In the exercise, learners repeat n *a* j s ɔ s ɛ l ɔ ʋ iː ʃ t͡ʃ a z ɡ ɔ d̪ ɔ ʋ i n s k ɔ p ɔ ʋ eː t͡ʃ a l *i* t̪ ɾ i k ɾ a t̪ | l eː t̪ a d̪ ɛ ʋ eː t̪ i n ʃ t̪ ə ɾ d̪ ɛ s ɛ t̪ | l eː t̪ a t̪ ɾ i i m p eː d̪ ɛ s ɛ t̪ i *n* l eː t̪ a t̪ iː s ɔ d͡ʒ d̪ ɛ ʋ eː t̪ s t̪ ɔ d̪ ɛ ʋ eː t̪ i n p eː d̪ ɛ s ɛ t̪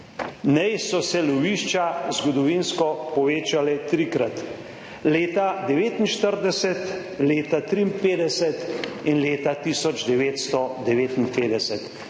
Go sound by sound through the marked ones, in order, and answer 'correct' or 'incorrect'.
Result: incorrect: ɛ, incorrect: ɛ, correct

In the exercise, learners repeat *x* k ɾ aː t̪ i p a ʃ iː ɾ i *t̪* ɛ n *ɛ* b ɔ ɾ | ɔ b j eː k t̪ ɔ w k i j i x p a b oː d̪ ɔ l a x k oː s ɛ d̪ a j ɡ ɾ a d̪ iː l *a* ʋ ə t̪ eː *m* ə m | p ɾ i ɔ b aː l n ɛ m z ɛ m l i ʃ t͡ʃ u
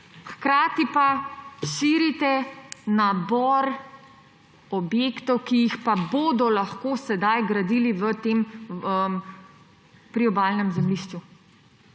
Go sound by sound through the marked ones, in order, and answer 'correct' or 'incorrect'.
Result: correct, correct, incorrect: a, incorrect: i, correct

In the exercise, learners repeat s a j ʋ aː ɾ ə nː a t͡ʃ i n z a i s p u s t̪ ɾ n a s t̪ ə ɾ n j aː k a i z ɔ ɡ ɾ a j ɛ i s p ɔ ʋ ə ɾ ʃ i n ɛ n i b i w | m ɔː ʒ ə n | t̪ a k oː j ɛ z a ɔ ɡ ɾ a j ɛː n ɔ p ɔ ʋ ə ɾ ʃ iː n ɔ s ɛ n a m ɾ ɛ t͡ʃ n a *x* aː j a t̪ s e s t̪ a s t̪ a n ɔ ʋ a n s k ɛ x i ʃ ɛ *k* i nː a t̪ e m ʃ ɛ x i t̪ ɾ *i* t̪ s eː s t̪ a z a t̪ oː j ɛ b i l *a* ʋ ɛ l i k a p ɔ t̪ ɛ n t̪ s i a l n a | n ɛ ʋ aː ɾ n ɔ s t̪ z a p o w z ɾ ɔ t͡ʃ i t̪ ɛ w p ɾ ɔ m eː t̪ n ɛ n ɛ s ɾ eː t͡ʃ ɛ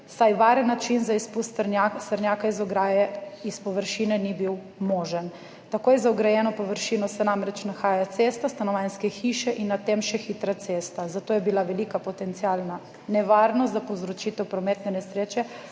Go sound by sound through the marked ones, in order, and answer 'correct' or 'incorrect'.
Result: correct, incorrect: ʔ, incorrect: a, correct

